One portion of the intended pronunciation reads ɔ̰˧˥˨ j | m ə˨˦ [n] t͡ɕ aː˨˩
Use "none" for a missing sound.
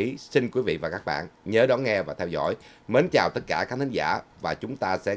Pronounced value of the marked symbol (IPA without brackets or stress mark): n